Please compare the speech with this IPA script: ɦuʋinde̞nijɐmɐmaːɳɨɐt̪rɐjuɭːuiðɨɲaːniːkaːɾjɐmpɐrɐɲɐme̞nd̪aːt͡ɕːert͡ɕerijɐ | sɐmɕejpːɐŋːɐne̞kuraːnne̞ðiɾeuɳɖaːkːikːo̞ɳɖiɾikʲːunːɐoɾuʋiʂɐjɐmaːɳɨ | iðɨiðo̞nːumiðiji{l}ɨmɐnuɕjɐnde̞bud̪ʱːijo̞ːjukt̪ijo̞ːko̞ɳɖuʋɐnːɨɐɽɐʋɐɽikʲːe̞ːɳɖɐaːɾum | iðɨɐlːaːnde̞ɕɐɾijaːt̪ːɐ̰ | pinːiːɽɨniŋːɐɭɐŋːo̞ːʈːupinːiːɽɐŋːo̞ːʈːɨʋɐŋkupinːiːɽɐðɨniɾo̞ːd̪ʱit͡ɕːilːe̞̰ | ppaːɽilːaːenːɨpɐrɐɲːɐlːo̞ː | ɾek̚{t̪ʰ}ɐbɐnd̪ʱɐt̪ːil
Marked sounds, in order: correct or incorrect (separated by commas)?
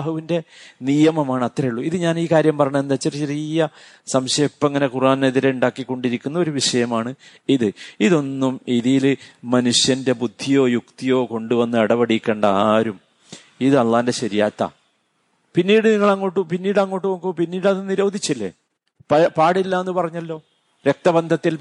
correct, incorrect